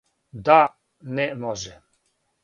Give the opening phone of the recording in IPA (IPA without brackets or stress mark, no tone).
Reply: d̪